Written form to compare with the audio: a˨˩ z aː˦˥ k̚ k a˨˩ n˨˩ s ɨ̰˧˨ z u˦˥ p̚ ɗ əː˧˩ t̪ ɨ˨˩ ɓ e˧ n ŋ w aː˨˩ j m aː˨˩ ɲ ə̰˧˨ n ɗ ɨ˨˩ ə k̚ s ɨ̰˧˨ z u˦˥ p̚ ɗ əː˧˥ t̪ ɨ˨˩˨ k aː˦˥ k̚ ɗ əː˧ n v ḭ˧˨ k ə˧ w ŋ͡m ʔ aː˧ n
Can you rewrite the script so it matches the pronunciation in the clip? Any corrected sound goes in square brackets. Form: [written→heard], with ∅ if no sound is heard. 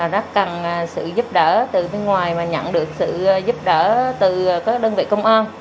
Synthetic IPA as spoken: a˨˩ z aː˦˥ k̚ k a˨˩ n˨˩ s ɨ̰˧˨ z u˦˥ p̚ ɗ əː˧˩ t̪ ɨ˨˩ ɓ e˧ n ŋ w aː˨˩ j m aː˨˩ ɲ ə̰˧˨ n ɗ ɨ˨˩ ə k̚ s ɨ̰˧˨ z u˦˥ p̚ ɗ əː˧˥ t̪ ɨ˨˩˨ k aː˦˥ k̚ ɗ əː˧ n v ḭ˧˨ k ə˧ w ŋ͡m ʔ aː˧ n